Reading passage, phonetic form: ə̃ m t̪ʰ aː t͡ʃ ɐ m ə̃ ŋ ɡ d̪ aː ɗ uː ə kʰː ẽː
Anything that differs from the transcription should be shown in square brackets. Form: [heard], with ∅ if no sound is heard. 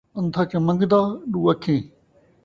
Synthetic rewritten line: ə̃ [n] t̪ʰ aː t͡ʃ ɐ m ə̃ ŋ ɡ d̪ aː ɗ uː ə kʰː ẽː